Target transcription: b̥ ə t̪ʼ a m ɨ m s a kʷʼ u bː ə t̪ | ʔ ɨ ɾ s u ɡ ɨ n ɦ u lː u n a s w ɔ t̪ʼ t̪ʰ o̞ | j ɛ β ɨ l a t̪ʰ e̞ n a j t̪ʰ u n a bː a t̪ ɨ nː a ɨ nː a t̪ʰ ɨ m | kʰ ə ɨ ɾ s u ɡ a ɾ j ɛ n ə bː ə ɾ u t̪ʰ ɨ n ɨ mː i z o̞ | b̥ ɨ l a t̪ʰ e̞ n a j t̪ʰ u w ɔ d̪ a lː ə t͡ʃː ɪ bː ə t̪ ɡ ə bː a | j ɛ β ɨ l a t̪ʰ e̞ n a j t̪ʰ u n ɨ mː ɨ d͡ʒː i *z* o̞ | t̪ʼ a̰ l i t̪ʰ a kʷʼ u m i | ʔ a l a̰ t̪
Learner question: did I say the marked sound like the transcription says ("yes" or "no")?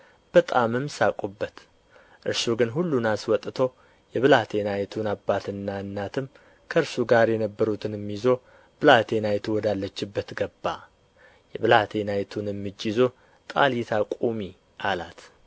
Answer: yes